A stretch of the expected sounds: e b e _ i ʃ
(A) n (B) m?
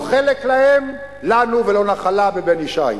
A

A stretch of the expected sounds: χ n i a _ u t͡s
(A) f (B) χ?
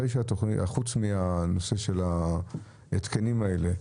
B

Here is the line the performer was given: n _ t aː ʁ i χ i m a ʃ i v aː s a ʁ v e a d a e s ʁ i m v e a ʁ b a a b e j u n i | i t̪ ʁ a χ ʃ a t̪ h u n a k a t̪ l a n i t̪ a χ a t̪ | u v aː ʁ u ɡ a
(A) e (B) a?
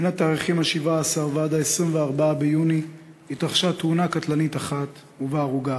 B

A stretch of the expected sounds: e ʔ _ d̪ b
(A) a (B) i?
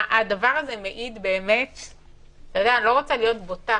B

